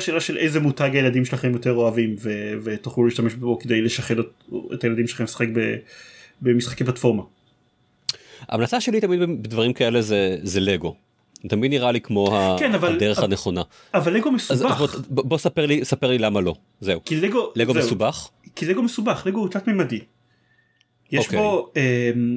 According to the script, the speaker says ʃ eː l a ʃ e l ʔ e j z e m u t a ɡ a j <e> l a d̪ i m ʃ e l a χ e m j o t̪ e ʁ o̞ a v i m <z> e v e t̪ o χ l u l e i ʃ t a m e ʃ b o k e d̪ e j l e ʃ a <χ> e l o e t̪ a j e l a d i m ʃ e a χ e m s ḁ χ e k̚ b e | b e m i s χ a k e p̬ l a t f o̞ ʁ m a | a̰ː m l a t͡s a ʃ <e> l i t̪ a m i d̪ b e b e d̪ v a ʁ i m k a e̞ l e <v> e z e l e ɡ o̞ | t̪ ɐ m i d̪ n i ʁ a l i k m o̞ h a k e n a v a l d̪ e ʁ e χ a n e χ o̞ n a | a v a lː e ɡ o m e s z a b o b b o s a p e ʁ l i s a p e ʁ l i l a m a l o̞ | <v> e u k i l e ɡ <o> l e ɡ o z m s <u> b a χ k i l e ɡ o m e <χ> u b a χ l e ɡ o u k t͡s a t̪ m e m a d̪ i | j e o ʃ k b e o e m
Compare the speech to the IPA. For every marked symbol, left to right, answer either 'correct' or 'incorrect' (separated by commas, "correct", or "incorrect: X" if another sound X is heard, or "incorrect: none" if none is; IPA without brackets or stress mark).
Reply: correct, incorrect: v, correct, correct, incorrect: z, incorrect: z, correct, correct, incorrect: s